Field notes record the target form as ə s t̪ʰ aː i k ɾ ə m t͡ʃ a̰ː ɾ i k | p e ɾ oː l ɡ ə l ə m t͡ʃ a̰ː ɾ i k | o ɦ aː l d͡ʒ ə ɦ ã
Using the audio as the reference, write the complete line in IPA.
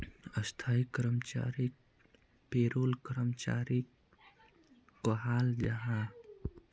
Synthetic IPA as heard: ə s t̪ʰ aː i k ɾ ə m t͡ʃ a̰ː ɾ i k | p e ɾ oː l k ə ɾ ə m t͡ʃ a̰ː ɾ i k | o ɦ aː l d͡ʒ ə ɦ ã